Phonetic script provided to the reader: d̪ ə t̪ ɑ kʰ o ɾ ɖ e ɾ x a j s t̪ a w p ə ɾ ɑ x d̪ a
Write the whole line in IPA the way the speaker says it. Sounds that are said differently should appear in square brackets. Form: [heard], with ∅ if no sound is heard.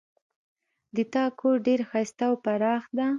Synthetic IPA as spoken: d̪ ə t̪ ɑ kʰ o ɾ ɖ e ɾ x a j s t̪ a w p [a] ɾ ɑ x d̪ a